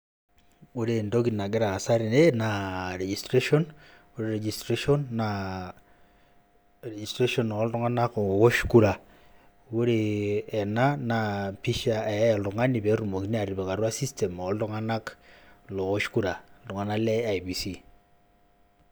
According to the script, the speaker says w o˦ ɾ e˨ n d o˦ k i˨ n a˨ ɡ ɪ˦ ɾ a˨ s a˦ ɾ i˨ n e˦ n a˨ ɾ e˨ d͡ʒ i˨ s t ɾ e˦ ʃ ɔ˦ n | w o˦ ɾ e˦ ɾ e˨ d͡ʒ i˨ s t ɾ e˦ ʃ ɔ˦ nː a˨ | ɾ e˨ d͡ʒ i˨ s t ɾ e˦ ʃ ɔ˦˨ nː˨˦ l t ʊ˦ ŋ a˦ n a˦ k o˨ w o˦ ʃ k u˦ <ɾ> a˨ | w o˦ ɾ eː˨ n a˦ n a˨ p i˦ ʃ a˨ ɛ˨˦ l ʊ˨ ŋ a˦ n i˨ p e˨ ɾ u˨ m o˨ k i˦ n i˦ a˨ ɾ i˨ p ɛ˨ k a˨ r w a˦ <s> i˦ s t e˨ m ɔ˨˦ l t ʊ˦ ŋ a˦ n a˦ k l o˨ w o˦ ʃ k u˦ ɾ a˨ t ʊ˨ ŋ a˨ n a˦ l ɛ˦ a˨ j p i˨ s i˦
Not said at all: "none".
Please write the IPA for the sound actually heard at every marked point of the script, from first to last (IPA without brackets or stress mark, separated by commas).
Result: ɾ, s